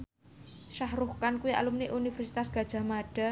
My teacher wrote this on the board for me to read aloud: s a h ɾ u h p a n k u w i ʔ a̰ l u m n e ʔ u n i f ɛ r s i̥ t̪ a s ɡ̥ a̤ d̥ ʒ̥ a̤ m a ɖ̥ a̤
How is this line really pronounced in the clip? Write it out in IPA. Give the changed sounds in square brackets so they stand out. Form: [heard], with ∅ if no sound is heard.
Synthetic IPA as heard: [ʃ] a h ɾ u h [k] a n k u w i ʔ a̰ l u m n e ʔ u n i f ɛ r s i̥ t̪ a s ɡ̥ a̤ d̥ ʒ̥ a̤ m a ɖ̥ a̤